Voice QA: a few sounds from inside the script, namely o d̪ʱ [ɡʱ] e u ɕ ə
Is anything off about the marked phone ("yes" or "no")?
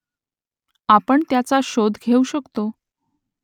no